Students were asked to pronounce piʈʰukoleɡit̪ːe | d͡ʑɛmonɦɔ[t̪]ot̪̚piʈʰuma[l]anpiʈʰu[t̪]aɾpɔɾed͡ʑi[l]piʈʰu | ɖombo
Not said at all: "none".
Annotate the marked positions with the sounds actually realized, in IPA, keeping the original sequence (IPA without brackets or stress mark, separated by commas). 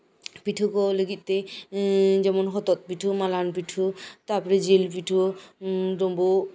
t̪, l, t̪, l